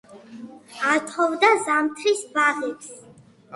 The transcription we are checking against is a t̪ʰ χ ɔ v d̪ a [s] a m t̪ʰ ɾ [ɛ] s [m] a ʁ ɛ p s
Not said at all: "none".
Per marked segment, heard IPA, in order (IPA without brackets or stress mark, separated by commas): z, i, b